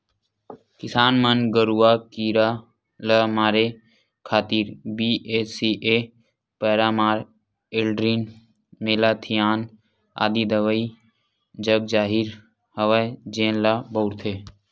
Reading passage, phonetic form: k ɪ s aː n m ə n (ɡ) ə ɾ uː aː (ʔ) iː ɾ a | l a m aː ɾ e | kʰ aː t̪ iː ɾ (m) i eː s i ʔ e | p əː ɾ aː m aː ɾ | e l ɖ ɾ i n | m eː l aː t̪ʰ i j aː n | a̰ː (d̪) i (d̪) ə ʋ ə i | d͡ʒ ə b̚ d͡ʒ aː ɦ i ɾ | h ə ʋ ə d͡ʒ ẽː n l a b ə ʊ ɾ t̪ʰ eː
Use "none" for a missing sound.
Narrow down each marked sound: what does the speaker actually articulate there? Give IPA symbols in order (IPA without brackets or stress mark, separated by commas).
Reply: ɡ, k, b, d̪, d̪